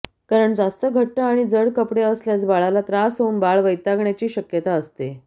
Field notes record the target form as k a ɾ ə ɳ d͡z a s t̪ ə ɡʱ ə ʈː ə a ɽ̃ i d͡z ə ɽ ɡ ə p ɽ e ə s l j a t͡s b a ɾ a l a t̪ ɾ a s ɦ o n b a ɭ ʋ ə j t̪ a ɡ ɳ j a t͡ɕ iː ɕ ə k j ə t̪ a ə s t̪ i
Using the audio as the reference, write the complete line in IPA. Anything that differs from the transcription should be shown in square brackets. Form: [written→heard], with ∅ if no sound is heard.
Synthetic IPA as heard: k a ɾ ə ɳ d͡z a s t̪ ə ɡʱ ə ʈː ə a ɽ̃ i d͡z ə ɽ [ɡ→k] ə p ɽ e ə s l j a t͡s b a [ɾ→ɭ] a l a t̪ ɾ a s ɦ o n b a ɭ ʋ ə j t̪ a ɡ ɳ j a t͡ɕ iː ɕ ə k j ə t̪ a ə s t̪ [i→e]